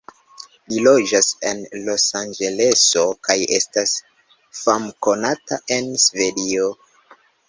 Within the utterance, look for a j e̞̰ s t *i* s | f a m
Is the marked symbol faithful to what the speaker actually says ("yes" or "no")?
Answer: no